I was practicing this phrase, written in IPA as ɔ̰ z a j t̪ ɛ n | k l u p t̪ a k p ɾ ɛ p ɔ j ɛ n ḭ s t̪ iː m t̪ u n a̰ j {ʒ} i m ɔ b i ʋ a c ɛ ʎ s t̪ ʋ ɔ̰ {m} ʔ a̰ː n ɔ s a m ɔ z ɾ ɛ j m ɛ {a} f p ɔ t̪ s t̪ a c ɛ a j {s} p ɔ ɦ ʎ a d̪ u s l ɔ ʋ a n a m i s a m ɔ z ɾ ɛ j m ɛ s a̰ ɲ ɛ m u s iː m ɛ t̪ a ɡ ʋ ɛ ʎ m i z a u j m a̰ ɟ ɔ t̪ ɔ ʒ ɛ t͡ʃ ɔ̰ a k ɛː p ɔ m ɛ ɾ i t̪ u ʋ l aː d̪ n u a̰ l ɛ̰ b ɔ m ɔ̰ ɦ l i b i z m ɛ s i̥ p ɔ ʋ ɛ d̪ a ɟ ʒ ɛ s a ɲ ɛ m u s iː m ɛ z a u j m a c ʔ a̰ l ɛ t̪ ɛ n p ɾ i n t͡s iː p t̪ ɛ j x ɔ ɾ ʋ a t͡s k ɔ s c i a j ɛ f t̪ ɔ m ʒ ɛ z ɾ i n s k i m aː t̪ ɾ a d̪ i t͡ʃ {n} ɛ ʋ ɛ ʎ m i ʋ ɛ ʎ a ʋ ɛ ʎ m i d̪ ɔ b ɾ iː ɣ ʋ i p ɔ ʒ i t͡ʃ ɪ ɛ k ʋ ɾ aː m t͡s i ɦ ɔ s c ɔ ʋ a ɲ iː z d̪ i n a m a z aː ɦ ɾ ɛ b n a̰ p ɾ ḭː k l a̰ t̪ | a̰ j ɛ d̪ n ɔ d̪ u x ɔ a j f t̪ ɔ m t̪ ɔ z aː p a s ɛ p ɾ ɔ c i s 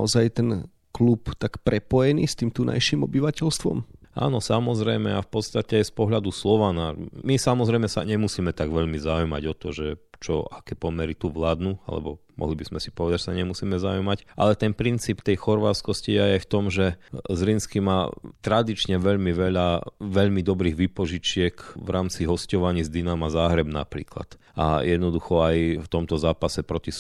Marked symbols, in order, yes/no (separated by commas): no, yes, yes, yes, no